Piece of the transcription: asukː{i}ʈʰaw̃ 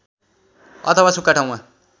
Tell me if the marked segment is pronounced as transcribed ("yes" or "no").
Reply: no